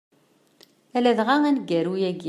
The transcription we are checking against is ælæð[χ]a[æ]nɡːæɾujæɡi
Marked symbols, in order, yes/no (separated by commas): no, yes